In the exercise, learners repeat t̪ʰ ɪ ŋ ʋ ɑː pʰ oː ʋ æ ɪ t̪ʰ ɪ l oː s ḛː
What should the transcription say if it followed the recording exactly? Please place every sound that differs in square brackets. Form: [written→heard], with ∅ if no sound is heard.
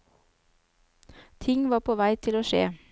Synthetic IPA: t̪ʰ ɪ ŋ ʋ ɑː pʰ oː ʋ æ ɪ t̪ʰ ɪ l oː [s→ʃ] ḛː